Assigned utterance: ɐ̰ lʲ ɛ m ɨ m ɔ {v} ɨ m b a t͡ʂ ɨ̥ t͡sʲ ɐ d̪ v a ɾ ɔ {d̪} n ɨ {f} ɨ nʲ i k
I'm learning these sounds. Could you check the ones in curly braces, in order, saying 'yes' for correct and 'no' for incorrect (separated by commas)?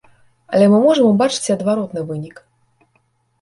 no, no, no